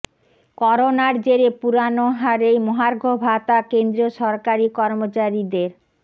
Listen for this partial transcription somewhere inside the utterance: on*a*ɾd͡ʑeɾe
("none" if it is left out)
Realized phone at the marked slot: a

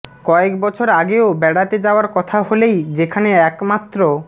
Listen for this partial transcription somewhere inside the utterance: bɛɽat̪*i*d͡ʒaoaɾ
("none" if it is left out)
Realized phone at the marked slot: e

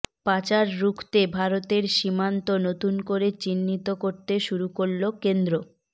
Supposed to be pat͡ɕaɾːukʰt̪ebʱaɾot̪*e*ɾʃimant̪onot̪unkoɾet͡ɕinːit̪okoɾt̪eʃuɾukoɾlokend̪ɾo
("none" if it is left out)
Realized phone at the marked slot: e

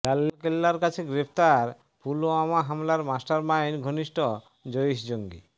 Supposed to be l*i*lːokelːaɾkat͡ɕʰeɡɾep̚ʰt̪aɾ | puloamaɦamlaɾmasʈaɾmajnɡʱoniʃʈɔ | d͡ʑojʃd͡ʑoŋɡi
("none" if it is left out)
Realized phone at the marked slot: a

